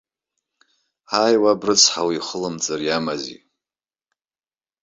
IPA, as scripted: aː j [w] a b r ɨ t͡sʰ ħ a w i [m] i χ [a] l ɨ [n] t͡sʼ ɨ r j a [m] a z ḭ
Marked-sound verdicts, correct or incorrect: correct, incorrect, incorrect, incorrect, correct

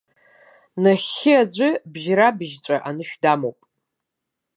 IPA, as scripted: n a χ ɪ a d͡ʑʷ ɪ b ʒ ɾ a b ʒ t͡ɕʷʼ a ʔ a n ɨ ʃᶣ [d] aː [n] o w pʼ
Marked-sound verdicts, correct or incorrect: correct, incorrect

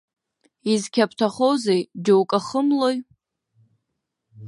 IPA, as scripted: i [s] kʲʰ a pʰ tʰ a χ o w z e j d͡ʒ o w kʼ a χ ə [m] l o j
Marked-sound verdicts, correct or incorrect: incorrect, correct

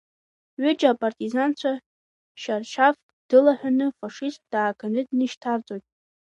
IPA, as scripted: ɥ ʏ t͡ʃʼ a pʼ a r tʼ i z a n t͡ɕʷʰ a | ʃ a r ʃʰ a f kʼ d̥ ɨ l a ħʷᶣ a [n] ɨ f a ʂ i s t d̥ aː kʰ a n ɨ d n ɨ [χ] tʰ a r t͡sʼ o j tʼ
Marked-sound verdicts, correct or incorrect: correct, incorrect

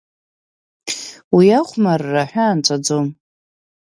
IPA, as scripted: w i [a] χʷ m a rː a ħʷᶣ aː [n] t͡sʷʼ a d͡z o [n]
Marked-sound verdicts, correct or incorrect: correct, correct, incorrect

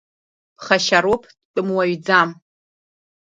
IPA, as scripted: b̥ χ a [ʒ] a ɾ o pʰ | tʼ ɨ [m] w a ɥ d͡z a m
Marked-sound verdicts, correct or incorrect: incorrect, correct

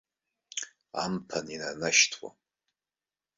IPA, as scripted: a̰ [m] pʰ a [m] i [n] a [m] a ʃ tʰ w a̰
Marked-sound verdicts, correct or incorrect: correct, incorrect, correct, incorrect

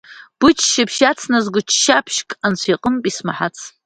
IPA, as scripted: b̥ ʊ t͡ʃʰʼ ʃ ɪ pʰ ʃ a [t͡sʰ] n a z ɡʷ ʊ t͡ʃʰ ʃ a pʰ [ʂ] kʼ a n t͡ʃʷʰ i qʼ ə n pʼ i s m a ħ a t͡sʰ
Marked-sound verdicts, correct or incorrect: correct, incorrect

